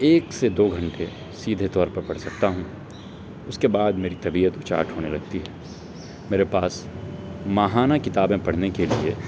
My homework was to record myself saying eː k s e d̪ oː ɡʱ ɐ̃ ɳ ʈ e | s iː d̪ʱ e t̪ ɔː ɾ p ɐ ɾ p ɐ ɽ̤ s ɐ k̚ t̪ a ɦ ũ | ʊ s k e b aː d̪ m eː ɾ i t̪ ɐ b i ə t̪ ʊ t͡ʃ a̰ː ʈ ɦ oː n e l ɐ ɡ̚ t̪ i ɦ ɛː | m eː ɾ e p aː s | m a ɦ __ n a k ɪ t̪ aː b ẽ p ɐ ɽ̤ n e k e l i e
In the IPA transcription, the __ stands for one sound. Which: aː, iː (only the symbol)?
aː